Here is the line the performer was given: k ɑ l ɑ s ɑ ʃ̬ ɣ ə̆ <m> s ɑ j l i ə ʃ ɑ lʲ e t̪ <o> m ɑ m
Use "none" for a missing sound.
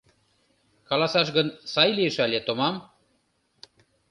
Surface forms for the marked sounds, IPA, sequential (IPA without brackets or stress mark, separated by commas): n, o